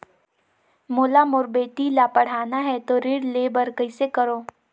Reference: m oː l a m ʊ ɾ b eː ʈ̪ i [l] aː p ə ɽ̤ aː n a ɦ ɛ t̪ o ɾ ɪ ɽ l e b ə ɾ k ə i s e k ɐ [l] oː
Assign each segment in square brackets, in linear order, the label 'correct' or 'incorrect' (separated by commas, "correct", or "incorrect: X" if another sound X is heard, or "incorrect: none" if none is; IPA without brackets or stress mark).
correct, incorrect: ɾ